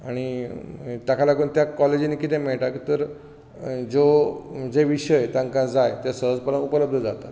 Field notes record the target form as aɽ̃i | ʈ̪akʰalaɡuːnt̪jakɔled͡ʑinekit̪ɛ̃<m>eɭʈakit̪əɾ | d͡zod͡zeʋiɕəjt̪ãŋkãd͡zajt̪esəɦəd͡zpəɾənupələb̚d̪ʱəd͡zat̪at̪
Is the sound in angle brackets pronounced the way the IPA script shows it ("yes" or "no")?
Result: yes